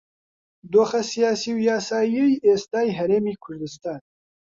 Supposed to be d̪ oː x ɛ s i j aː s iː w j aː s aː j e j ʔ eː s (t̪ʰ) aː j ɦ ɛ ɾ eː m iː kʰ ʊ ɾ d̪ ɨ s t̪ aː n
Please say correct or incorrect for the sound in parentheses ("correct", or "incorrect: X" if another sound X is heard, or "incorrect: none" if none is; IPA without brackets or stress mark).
incorrect: t̪